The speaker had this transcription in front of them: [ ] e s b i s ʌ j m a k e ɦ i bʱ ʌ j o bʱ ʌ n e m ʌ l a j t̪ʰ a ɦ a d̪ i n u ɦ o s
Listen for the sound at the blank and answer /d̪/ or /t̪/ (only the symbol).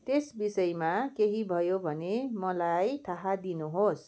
t̪